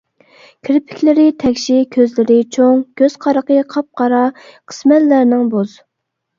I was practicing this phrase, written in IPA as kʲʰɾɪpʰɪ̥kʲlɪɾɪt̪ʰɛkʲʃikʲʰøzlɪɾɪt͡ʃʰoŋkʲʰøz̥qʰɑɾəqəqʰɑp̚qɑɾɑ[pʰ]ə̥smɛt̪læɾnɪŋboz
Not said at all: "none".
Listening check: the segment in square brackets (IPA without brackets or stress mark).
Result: qʰ